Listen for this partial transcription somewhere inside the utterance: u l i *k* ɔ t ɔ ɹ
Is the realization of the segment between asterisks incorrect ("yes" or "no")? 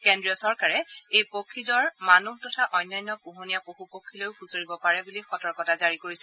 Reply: yes